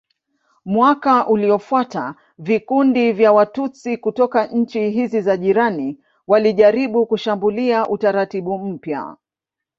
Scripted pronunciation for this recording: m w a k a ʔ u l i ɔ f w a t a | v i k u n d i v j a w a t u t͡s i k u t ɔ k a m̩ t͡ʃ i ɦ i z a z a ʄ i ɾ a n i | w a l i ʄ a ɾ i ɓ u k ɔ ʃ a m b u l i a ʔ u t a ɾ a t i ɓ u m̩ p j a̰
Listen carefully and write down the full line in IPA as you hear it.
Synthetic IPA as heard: m w a k a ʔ u l i ɔ f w a t a | v i k u n d i v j a w a t u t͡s i k u t ɔ k a ɲ̩ t͡ʃ i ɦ i z i z a ʄ i ɾ a n i | w a l i ʄ a ɾ i ɓ u k u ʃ a m b u l i a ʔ u t a ɾ a t i ɓ u m̩ p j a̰